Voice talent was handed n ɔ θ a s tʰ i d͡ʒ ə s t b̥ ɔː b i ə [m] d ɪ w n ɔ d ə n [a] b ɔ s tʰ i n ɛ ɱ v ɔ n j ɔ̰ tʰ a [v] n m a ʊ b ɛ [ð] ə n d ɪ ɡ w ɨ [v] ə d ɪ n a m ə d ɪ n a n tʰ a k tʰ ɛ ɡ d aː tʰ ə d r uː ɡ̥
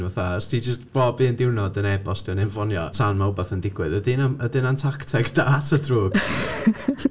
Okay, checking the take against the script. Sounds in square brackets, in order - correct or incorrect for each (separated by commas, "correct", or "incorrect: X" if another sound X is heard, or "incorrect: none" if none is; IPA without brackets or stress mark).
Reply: incorrect: n, incorrect: ɛ, incorrect: none, incorrect: θ, incorrect: ð